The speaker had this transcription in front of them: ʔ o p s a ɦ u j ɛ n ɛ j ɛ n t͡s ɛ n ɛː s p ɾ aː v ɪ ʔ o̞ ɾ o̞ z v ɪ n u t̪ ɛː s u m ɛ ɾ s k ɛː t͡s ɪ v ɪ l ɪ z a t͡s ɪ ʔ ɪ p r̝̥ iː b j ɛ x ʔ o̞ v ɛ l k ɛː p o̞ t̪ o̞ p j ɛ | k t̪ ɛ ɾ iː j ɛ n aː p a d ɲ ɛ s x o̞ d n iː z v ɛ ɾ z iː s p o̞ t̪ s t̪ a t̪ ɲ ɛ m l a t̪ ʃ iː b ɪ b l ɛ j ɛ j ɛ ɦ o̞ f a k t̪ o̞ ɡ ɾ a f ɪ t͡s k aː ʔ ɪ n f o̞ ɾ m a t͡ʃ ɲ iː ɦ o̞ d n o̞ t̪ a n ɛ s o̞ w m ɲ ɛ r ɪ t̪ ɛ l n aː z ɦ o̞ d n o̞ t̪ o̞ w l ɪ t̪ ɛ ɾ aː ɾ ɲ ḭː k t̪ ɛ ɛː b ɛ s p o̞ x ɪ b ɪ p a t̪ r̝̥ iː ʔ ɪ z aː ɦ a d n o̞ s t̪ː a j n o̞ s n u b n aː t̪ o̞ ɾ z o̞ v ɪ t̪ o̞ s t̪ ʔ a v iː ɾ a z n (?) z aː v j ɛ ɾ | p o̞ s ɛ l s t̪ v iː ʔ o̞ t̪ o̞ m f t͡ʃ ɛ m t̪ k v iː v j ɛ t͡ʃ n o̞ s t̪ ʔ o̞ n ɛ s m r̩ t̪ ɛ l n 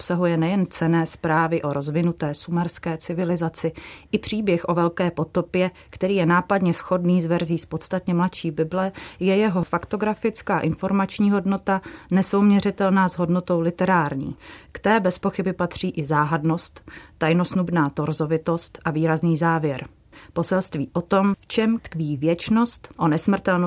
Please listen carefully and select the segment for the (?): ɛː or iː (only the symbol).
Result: iː